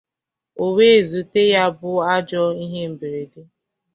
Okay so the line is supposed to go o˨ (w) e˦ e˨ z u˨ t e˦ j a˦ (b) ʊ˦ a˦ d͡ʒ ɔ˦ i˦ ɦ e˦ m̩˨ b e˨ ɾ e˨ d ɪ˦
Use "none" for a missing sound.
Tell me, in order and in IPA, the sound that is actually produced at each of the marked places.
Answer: w, b

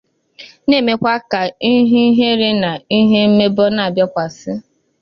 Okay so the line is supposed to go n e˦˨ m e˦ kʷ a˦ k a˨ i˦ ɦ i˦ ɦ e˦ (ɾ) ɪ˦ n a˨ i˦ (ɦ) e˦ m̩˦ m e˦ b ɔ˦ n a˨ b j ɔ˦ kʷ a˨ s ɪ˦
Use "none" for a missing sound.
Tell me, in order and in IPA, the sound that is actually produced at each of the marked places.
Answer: ɾ, ɦ

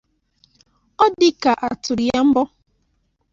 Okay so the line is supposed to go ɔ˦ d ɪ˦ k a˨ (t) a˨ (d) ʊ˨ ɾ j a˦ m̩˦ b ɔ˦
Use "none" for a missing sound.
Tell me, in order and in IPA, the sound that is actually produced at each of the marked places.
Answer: ʔ, t

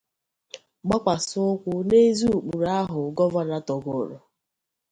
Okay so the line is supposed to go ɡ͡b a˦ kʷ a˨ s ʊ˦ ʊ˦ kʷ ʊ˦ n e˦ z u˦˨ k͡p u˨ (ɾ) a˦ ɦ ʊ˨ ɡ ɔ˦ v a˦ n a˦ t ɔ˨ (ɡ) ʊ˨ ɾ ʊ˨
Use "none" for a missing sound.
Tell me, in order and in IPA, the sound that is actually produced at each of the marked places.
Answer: ɾ, ɡ

